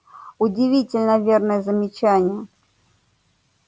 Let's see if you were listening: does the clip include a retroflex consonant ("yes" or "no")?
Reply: no